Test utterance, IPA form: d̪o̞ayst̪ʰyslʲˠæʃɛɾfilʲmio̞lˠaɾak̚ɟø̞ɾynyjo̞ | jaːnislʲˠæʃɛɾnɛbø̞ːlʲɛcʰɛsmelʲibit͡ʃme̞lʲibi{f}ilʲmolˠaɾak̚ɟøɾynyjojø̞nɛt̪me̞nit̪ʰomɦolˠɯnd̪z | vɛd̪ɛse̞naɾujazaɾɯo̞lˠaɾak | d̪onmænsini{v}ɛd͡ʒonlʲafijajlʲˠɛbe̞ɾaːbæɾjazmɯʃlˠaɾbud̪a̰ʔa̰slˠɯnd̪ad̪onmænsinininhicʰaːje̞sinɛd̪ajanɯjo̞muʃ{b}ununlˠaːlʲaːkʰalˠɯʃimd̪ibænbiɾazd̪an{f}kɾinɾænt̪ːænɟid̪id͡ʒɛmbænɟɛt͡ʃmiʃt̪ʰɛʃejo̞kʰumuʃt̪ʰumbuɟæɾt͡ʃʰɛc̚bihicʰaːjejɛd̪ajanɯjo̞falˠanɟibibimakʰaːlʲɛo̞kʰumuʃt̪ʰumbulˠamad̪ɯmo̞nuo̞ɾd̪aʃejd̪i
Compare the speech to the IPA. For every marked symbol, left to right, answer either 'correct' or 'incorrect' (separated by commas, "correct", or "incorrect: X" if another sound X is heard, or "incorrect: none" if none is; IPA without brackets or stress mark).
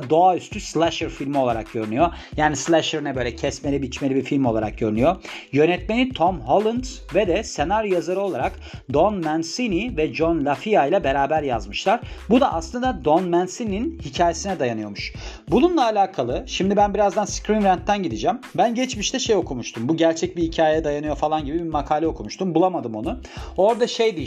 correct, correct, correct, incorrect: s